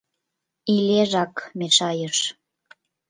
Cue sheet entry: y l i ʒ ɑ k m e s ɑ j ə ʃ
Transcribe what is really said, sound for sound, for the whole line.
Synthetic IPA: i l e ʒ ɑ k m e ʃ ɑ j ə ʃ